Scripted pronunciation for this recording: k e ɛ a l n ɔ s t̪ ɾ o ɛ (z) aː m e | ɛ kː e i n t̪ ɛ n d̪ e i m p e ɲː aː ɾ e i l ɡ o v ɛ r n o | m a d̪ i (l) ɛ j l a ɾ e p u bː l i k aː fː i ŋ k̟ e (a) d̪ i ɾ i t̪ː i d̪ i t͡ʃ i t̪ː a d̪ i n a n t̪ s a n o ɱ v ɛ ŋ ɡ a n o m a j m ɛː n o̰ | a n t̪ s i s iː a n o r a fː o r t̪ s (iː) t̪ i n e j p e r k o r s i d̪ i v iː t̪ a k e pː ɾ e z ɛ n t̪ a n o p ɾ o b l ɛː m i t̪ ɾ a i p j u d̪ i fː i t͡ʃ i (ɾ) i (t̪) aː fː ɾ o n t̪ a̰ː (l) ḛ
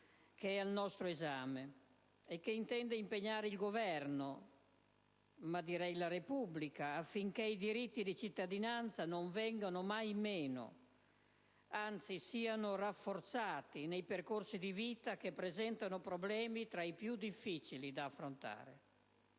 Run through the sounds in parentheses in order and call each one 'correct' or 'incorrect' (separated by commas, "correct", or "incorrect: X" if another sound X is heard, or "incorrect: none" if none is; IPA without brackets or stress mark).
correct, incorrect: ɾ, incorrect: i, incorrect: aː, incorrect: l, incorrect: d̪, incorrect: ɾ